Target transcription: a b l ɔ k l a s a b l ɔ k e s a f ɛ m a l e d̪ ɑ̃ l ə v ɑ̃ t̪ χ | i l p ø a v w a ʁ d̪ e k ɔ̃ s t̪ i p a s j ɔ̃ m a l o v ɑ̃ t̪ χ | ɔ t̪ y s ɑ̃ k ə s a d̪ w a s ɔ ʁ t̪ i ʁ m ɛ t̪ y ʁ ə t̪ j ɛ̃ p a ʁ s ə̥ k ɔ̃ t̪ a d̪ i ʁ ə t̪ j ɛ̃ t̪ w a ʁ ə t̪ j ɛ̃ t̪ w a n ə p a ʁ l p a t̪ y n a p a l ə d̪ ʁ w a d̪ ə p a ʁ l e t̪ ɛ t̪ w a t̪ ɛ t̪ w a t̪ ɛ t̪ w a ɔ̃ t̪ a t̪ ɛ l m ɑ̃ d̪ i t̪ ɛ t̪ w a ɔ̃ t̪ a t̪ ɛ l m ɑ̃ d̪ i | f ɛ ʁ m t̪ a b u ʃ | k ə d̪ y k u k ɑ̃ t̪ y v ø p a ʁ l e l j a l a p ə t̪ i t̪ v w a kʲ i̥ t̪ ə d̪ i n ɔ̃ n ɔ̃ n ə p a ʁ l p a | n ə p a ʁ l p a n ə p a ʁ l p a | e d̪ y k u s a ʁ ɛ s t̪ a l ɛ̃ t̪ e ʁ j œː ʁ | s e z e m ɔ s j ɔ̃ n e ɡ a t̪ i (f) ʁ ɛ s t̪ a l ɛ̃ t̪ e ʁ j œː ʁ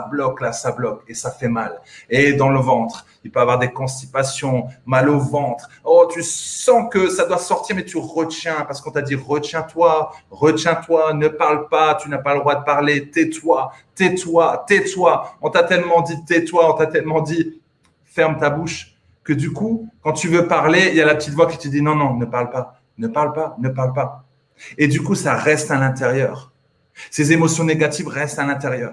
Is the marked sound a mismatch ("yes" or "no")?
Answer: yes